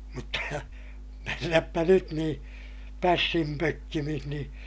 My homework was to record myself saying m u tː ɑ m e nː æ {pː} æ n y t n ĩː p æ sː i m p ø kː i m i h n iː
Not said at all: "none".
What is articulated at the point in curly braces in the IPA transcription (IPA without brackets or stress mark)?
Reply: pː